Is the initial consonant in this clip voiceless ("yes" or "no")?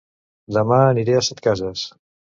no